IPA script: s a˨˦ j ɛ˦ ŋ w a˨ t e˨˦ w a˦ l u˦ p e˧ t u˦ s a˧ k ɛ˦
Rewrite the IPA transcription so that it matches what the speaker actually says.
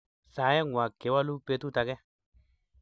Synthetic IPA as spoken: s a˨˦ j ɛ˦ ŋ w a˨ k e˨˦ w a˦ l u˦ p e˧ t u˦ t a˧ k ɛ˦

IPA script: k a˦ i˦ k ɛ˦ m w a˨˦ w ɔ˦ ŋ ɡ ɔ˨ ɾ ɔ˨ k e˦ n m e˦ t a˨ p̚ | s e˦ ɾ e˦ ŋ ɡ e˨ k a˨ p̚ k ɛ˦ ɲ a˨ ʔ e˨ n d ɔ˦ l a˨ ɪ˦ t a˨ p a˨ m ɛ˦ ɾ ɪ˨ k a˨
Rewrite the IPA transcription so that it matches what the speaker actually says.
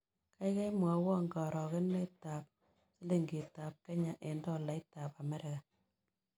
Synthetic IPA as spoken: k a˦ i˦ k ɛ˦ m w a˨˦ w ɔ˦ ŋ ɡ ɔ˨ ɾ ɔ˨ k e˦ n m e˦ t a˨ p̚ | s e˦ l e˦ ŋ ɡ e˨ t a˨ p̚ k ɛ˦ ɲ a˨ ʔ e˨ n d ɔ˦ l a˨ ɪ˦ t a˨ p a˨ m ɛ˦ ɾ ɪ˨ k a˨

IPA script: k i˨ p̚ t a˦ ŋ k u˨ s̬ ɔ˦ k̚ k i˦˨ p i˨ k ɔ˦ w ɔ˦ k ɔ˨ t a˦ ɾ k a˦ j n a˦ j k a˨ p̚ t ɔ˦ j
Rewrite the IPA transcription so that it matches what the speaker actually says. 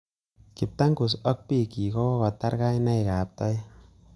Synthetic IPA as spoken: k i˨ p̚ t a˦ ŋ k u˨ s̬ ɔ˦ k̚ p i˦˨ k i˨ k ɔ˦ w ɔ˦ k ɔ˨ t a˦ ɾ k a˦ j n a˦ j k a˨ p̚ t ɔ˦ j

